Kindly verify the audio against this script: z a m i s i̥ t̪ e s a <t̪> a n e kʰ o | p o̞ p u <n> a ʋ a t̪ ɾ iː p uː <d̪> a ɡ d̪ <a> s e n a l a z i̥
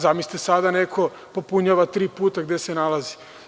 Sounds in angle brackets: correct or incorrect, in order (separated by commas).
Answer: incorrect, incorrect, incorrect, incorrect